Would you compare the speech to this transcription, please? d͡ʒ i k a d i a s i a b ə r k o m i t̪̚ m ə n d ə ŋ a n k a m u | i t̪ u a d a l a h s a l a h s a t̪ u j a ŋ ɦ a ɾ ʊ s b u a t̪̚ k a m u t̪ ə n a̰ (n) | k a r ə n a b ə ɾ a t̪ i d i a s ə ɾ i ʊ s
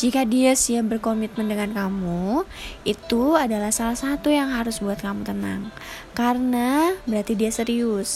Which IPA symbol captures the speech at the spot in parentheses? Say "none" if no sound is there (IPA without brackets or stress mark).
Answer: ŋ